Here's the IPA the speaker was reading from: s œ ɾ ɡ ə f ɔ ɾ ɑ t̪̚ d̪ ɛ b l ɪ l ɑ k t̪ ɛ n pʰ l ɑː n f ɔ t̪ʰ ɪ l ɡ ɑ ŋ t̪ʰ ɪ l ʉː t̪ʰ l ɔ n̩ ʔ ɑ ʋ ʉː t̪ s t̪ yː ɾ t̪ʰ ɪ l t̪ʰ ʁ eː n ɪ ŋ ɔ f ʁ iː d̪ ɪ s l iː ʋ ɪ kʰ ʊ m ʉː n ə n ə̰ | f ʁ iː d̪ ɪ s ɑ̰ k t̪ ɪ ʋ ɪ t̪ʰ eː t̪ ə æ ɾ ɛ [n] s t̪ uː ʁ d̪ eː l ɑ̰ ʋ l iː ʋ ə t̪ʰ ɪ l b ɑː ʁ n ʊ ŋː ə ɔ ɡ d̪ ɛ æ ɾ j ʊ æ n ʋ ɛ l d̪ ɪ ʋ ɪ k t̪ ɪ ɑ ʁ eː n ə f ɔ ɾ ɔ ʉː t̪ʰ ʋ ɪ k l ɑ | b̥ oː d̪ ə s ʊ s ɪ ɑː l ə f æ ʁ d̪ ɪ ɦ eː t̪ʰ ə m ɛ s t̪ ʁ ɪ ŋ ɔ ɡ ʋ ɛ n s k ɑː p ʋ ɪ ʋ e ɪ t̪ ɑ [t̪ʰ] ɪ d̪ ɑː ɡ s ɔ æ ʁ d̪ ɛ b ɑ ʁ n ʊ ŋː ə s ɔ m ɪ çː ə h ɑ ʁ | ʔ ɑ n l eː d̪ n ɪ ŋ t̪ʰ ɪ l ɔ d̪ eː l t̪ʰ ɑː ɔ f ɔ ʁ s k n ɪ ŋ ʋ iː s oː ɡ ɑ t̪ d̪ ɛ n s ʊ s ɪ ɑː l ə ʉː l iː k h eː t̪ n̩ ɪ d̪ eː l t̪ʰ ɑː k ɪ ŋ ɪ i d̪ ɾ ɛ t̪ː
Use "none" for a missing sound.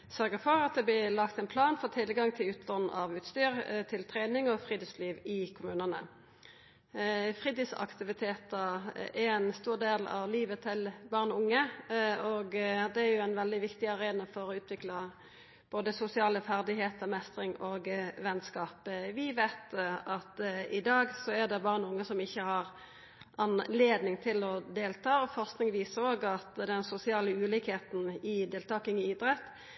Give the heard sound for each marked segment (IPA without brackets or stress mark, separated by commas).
n, t̪